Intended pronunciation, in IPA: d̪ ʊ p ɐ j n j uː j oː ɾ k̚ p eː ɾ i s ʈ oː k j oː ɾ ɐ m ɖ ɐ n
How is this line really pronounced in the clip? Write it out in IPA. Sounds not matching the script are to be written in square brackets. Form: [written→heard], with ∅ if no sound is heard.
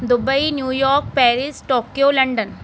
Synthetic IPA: d̪ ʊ [p→b] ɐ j n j uː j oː ɾ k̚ p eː ɾ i s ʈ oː k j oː [ɾ→l] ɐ [m→ɳ] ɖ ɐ n